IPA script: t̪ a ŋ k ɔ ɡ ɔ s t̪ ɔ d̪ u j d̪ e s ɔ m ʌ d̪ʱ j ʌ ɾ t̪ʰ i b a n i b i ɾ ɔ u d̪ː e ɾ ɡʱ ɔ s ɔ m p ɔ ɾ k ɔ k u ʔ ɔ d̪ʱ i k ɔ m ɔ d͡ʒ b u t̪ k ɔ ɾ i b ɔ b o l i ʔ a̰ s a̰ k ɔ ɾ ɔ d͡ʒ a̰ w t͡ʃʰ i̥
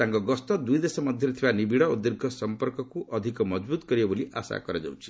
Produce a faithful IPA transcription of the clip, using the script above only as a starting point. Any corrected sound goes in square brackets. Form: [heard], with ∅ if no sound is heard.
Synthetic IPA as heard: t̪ a ŋ k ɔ ɡ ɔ s t̪ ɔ d̪ u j d̪ e s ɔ m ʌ d̪ʱ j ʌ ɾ t̪ʰ i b a n i b i [ɽ] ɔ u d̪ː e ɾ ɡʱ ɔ s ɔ m p ɔ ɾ k ɔ k u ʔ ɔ d̪ʱ i k ɔ m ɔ d͡ʒ b u t̪ k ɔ ɾ i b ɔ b o l i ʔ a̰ s a̰ k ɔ ɾ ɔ d͡ʒ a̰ w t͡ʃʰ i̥